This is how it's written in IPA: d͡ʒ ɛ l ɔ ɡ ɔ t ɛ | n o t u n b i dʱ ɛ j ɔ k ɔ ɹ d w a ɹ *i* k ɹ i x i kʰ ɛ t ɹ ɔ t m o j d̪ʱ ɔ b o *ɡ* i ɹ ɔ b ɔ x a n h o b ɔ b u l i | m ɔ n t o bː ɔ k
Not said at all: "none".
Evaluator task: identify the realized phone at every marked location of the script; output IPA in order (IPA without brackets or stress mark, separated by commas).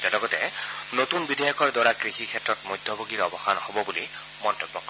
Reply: a, ɡ